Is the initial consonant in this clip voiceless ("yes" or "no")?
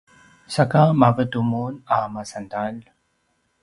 yes